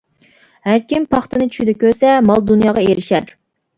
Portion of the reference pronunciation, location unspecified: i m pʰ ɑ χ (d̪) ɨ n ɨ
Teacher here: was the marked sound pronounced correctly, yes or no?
no